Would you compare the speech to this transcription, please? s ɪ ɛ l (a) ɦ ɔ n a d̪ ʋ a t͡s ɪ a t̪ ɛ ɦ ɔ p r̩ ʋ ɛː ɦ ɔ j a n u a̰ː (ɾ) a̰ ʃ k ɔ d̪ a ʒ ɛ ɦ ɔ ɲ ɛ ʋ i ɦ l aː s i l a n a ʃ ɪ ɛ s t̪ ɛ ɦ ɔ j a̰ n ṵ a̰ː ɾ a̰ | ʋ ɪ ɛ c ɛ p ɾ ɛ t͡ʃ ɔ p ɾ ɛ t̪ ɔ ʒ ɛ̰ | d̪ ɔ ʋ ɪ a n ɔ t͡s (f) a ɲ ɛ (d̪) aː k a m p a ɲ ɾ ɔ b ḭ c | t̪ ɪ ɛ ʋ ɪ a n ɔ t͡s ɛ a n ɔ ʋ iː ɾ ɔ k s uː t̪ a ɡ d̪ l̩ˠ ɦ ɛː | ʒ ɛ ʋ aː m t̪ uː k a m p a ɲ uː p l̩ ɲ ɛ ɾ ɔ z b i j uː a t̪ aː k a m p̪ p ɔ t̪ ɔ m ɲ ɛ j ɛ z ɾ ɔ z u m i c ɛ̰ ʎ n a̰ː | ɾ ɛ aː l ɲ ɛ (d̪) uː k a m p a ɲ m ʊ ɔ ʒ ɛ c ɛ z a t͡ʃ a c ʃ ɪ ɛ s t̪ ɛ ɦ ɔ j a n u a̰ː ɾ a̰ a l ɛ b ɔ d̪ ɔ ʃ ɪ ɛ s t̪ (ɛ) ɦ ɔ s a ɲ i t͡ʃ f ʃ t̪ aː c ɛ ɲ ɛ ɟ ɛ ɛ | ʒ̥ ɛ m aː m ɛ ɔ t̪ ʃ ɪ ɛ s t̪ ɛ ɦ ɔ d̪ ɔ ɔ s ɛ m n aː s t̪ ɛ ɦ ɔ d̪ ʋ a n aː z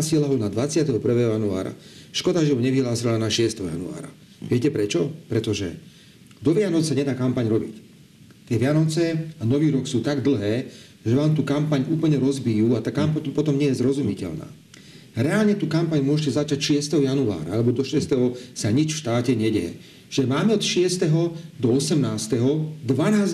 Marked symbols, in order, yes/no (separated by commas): yes, yes, no, yes, no, yes